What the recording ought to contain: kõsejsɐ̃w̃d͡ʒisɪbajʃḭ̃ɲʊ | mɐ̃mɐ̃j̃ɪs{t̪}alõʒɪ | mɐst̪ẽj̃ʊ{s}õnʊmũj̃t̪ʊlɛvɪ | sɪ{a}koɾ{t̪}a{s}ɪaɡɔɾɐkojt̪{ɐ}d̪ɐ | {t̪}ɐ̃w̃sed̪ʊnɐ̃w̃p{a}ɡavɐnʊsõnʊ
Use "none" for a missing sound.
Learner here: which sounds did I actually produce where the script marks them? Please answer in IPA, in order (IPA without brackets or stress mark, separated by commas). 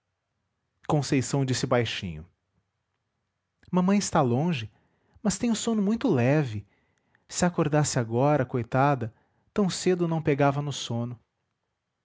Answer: t̪, s, a, d̪, s, a, t̪, e